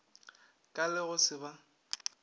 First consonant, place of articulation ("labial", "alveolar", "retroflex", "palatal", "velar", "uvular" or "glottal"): velar